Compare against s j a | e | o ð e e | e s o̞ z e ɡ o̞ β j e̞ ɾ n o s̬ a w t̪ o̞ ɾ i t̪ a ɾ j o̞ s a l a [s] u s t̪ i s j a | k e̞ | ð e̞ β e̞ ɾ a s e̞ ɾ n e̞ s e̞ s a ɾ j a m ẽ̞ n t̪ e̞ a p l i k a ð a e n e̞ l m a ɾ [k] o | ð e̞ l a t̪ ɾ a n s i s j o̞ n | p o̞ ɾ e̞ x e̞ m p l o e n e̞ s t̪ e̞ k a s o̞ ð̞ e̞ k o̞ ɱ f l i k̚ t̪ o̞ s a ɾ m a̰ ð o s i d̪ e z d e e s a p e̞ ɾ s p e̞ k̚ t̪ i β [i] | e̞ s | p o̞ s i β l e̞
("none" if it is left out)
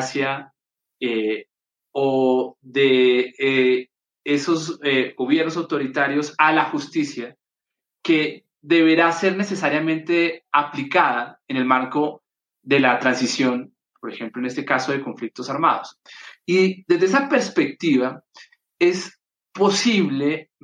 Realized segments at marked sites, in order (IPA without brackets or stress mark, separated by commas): x, k, a